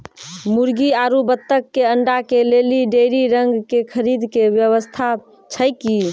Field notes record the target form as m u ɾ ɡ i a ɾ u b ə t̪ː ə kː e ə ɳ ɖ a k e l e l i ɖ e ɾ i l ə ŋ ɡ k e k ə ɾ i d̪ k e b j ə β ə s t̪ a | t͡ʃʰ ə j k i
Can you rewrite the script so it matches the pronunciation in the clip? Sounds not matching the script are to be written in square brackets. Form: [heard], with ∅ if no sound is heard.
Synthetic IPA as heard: m u ɾ ɡ i a ɾ u b ə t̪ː ə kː e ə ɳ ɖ a k e l e l i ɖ e ɾ i [ɾ] ə ŋ ɡ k e [kʰ] ə ɾ i d̪ k e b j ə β ə s [t̪ʰ] a | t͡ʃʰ ə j k i